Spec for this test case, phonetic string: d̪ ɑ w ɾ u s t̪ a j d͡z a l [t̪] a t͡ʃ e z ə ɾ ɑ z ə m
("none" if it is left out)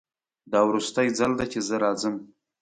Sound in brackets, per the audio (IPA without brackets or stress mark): d̪